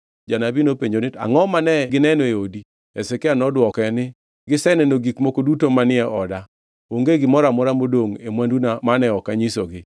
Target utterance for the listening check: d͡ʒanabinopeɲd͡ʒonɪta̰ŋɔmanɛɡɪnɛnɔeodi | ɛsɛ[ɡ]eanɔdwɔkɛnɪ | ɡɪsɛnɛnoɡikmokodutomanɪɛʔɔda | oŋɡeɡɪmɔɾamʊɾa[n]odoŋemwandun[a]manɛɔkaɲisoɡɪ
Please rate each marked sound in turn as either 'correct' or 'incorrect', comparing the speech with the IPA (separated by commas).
incorrect, incorrect, correct